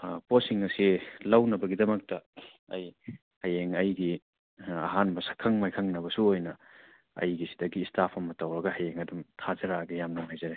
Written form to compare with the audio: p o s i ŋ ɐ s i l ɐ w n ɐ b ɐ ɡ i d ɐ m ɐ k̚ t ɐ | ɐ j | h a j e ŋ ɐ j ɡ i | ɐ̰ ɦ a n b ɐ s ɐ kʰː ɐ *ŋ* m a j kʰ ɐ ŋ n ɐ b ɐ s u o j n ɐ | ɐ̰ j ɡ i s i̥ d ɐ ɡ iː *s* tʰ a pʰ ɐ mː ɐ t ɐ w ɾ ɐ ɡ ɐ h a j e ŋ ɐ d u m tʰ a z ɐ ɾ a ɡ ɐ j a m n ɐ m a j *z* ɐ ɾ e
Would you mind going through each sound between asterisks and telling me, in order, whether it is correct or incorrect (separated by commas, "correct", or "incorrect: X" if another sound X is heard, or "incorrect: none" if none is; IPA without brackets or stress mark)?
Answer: correct, correct, correct